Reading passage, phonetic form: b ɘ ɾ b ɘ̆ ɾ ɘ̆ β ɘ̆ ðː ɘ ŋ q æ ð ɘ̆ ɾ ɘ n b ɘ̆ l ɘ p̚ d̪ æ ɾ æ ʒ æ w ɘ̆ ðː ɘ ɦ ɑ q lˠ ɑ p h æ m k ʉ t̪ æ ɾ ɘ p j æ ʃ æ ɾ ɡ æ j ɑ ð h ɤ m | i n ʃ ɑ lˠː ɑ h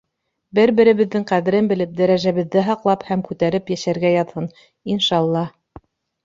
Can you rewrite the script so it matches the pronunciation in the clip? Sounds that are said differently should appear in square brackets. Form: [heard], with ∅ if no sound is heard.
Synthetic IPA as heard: b ɘ ɾ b ɘ̆ ɾ ɘ̆ β ɘ̆ ðː ɘ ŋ q æ ð ɘ̆ ɾ ɘ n b ɘ̆ l ɘ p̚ d̪ æ ɾ æ ʒ æ [β] ɘ̆ ðː ɘ ɦ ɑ q lˠ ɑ p h æ m k ʉ t̪ æ ɾ ɘ p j æ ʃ æ ɾ ɡ æ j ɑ ð h ɤ [n] | i n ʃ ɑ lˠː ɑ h